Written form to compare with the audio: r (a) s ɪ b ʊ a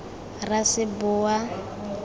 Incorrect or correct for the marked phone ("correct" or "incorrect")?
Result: correct